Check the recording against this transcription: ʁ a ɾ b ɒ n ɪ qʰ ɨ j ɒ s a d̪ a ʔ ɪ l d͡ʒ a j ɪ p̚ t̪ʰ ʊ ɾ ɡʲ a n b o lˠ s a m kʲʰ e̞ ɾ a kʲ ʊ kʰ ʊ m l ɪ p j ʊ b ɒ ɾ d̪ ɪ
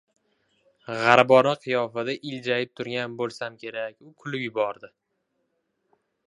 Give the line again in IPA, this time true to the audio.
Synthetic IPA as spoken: ʁ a ɾ b ɒ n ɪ qʰ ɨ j ɒ f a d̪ a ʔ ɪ l d͡ʒ a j ɪ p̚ t̪ʰ ʊ ɾ ɡʲ a n b o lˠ s a m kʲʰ e̞ ɾ a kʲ ʊ kʰ ʊ l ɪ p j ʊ b ɒ ɾ d̪ ɪ